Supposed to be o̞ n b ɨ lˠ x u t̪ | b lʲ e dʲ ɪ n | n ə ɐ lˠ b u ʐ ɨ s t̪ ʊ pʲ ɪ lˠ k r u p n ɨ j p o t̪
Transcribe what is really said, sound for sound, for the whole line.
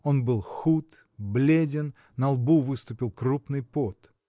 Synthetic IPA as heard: o̞ n b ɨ lˠ x u t̪ | b lʲ e dʲ ɪ n | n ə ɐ lˠ b u v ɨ s t̪ ʊ pʲ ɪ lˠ k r u p n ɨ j p o t̪